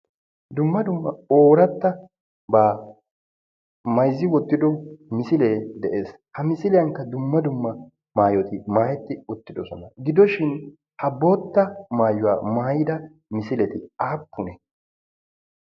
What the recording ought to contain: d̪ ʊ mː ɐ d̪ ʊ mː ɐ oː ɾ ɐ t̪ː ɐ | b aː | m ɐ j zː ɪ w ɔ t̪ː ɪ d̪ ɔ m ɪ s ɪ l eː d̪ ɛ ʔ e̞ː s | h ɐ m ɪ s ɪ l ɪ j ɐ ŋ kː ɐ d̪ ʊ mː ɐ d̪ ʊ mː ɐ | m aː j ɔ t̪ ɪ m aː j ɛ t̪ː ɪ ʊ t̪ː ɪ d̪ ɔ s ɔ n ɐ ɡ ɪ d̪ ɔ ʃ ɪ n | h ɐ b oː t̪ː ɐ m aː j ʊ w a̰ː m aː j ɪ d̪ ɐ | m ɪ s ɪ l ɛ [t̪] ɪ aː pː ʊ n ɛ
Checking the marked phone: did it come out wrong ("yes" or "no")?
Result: no